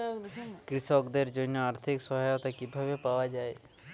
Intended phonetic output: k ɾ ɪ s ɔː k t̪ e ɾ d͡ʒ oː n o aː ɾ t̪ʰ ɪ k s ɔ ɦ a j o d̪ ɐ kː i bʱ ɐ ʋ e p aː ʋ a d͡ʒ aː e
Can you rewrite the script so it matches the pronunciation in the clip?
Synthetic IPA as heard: k ɾ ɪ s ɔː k d̪ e ɾ d͡ʒ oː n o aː ɾ t̪ʰ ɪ k s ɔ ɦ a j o t̪ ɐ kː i bʱ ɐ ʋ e p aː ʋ a d͡ʒ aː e